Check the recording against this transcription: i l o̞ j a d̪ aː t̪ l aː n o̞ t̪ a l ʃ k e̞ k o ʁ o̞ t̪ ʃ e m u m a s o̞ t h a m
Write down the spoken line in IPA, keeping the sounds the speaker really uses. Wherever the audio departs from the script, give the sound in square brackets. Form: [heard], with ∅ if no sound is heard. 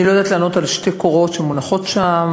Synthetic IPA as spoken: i l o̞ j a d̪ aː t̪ l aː n o̞ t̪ a l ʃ [t] e̞ k o ʁ o̞ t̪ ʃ e m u [n] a [χ] o̞ t [ʃ] a m